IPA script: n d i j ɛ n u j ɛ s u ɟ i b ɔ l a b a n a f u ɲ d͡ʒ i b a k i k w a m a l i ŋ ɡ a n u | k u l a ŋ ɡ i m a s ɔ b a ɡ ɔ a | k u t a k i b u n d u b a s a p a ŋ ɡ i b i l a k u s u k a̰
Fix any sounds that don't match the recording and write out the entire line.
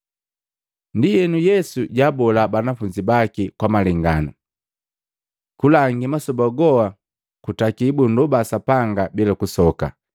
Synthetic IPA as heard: n d i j ɛ n u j ɛ s u ɟ a b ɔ l a b a n a f u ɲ d͡ʒ i b a k i k w a m a l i ŋ ɡ a n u | k u l a ŋ ɡ i m a s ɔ b a ɡ ɔ a | k u t a k i b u n d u b a s a p a ŋ ɡ a b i l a k u s ɔ k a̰